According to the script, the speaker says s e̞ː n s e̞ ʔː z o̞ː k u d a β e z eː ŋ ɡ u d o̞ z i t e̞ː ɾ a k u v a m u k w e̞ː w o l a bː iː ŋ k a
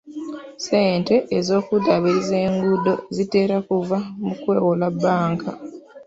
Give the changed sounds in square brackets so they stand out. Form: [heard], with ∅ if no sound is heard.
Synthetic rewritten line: s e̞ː n [t] e̞ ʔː z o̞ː k u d a β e z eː ŋ ɡ u d o̞ z i t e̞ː ɾ a k u v a m u k w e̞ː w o l a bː [aː] ŋ k a